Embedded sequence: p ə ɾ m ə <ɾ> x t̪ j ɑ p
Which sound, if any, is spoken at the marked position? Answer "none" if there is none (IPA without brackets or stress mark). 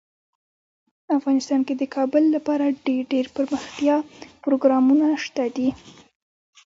none